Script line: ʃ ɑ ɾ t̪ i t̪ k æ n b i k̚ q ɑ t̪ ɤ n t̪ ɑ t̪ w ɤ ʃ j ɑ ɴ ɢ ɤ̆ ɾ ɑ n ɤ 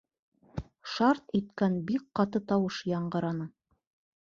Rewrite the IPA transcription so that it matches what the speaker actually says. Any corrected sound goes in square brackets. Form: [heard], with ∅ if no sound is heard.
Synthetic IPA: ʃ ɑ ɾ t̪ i t̪ k æ n b i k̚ q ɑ t̪ ɤ [∅] t̪ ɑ [∅] w ɤ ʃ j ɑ ɴ ɢ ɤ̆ ɾ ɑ n ɤ